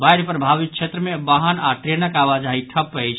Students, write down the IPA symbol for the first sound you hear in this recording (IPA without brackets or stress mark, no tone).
b